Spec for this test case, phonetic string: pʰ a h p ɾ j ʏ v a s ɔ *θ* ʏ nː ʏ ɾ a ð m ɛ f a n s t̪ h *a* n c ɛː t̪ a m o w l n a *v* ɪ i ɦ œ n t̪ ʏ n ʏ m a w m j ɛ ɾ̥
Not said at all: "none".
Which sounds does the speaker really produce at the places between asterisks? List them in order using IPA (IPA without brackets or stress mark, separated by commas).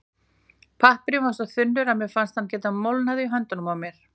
θ, a, ð